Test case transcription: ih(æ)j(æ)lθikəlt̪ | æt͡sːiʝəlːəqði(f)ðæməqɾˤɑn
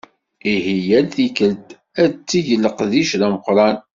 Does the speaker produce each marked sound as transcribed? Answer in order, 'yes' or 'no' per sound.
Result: no, yes, no

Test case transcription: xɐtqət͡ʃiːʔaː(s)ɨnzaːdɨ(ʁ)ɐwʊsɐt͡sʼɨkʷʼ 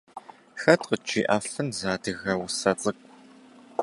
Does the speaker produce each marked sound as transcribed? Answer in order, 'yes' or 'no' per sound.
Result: no, no

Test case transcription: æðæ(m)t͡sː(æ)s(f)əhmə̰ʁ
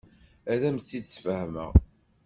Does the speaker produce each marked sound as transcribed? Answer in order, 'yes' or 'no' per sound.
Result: yes, no, yes

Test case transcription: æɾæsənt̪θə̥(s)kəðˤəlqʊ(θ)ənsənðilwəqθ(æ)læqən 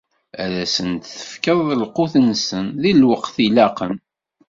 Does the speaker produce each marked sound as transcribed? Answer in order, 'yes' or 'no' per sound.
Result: no, yes, no

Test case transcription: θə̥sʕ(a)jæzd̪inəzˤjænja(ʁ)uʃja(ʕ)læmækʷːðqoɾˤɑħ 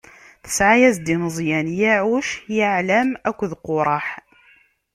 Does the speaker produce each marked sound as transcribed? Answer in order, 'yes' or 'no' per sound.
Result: yes, no, yes

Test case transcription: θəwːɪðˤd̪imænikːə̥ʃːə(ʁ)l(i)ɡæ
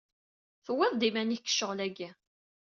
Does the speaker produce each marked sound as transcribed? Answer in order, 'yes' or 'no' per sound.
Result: yes, no

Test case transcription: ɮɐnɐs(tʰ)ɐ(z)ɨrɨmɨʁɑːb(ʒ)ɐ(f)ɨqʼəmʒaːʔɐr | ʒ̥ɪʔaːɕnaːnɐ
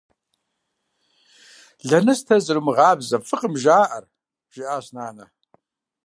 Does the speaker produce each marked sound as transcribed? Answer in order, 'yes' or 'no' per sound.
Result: yes, yes, no, yes

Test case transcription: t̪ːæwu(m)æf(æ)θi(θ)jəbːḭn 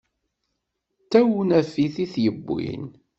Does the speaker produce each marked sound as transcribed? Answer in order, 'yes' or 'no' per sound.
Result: no, no, yes

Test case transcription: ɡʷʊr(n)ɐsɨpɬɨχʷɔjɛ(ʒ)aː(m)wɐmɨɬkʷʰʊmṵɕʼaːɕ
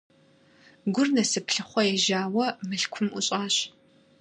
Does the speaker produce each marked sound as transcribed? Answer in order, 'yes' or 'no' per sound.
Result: yes, yes, no

